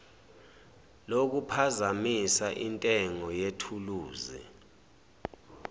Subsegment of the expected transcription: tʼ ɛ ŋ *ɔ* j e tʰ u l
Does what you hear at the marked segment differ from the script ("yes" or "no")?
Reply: no